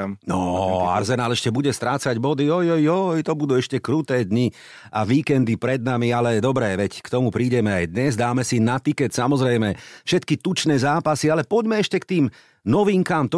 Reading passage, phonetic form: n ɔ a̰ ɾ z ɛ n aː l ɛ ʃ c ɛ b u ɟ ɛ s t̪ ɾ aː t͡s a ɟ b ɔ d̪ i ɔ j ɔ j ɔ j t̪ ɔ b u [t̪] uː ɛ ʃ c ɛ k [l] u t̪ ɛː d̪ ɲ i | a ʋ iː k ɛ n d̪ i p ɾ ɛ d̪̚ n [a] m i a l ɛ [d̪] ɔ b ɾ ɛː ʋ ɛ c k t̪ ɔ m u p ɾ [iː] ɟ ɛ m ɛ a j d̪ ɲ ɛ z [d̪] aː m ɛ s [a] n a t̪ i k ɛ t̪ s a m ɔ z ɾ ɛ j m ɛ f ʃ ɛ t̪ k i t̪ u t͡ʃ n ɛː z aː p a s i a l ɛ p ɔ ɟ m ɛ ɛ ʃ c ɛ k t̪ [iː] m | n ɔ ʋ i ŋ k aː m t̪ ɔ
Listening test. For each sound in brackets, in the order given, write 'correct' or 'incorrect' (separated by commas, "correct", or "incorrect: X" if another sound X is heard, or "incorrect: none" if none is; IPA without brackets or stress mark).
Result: incorrect: d̪, incorrect: ɾ, correct, correct, correct, correct, incorrect: i, correct